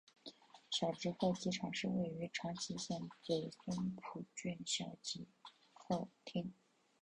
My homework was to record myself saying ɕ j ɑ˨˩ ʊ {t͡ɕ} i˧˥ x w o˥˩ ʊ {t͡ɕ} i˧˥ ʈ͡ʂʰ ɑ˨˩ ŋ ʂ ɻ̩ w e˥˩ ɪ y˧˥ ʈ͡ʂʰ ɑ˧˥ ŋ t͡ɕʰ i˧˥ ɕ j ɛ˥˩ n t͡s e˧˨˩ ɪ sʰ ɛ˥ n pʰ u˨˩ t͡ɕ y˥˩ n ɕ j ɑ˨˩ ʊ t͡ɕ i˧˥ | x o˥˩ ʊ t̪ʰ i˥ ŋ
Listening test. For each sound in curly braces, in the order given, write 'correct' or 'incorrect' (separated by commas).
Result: correct, correct